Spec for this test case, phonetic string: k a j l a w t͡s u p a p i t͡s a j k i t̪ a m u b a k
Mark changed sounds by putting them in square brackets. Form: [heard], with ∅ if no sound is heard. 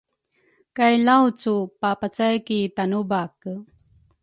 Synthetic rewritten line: k a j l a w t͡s u p a p [a] t͡s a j k i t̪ a [n] u b a k